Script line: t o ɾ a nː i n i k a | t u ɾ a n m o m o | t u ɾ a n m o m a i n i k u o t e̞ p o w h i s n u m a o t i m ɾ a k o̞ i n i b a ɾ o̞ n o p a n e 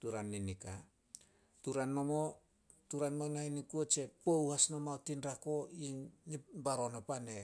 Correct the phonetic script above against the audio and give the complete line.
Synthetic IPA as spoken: t u ɾ a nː i n i k a | t u ɾ a n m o m o | t u ɾ a n m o n a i n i k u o t͡ʃ e̞ p o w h a s n o m a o t i n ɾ a k o̞ i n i b a ɾ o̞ n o p a n e